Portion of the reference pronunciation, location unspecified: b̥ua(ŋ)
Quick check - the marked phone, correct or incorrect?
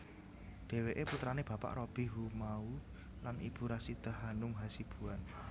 incorrect